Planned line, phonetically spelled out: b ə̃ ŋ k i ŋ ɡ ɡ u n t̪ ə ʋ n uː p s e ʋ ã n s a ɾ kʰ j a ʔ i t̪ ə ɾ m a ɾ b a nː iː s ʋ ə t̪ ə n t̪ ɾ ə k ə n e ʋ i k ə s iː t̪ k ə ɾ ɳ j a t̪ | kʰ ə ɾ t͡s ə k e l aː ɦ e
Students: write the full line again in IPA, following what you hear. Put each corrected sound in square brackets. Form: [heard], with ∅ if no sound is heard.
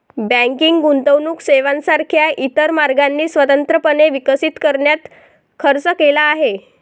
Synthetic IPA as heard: b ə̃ ŋ k i ŋ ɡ ɡ u n t̪ ə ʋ n uː [k] s e ʋ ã n s a ɾ kʰ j a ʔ i t̪ ə ɾ m a ɾ [ɡ] a nː iː s ʋ ə t̪ ə n t̪ ɾ ə [p] ə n e ʋ i k ə s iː t̪ k ə ɾ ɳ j a t̪ | kʰ ə ɾ t͡s ə k e l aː ɦ e